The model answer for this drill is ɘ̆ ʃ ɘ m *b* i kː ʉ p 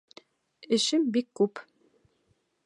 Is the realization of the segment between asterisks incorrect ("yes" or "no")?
no